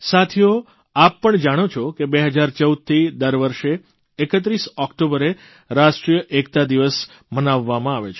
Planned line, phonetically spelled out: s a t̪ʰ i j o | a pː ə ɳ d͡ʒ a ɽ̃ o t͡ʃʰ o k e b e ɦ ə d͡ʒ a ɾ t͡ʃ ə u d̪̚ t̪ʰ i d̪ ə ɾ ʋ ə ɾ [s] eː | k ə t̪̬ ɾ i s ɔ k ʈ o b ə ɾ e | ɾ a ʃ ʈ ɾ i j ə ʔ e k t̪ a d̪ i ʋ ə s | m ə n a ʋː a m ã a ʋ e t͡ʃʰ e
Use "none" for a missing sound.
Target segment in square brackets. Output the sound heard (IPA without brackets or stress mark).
ʃ